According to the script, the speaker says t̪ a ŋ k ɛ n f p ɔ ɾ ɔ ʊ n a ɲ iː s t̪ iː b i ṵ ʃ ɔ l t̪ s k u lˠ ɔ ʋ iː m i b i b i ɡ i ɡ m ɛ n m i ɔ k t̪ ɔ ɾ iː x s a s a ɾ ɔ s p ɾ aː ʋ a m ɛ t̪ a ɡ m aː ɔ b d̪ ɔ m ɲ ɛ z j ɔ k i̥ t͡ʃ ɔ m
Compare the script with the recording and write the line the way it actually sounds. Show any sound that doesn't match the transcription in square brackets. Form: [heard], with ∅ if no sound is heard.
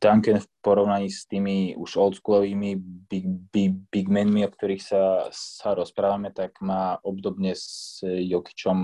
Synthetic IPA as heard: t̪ a ŋ k ɛ n f p ɔ ɾ ɔ ʊ n a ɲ iː s t̪ iː [m] i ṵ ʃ ɔ l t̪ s k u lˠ ɔ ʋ iː m i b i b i [b] i ɡ m ɛ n m i ɔ k t̪ ɔ ɾ iː x s a s a ɾ ɔ s p ɾ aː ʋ a m ɛ t̪ a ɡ m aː ɔ b d̪ ɔ [b] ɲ ɛ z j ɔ k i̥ t͡ʃ ɔ m